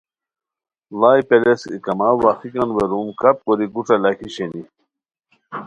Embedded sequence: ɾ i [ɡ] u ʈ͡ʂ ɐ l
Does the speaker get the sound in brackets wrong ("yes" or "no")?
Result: no